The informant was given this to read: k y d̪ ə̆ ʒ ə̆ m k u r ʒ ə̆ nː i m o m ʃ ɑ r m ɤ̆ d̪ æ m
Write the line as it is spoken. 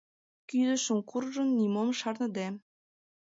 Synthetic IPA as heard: k y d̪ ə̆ ʃ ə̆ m k u r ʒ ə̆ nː i m o m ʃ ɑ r n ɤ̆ d̪ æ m